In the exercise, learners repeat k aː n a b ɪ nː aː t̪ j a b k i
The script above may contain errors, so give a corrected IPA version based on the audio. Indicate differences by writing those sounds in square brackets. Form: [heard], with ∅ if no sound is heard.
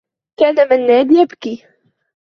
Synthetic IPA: k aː n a [m] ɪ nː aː [d̪] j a b k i